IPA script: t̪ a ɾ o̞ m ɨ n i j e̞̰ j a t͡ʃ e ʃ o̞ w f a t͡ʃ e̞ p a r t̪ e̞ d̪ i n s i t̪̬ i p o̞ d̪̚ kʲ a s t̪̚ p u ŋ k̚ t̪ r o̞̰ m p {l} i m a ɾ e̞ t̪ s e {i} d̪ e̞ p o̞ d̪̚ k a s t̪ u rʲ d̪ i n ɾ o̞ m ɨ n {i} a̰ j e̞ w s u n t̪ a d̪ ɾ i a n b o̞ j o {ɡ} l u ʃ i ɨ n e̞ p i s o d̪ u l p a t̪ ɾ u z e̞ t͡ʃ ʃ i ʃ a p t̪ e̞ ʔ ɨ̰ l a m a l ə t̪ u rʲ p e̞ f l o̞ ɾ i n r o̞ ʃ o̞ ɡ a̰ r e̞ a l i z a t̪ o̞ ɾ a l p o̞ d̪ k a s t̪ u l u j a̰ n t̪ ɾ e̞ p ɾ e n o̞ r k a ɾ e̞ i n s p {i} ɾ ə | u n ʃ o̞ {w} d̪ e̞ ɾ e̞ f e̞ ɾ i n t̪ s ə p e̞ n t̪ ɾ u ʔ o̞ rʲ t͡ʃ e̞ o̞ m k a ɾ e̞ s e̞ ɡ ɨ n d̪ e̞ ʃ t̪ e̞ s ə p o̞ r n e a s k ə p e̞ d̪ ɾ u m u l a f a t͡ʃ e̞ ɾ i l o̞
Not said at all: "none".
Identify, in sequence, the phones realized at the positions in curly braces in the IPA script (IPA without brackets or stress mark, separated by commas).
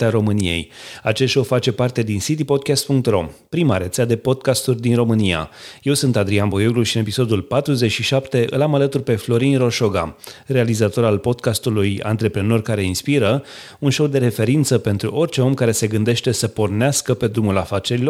ɾ, a, i, ɡ, i, w